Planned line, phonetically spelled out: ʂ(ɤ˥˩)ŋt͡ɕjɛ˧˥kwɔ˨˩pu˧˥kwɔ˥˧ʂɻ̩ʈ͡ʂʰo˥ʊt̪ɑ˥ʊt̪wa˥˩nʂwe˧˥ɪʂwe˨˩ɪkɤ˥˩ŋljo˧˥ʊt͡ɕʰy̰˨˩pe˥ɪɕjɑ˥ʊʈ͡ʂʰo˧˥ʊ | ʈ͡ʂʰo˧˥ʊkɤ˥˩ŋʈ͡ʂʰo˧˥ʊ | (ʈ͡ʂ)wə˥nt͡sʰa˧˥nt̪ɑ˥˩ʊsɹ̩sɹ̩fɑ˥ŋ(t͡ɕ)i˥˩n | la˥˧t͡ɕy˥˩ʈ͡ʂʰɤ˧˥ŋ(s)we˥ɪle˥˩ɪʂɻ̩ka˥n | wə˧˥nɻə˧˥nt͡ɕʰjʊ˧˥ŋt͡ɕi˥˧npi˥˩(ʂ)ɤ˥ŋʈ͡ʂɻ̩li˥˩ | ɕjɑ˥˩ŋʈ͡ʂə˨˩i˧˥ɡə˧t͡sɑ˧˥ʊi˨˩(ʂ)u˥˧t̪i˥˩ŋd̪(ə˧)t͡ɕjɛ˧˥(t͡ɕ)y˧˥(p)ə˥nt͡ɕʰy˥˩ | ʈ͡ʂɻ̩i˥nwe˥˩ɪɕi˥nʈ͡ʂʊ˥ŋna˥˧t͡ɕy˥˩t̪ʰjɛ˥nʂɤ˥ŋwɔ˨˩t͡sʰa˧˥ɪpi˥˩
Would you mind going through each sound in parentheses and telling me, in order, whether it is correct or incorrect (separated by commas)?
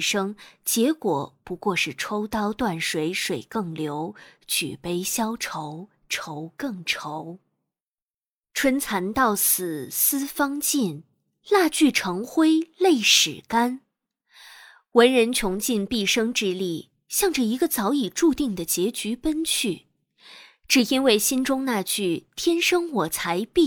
incorrect, incorrect, correct, incorrect, correct, incorrect, incorrect, correct, correct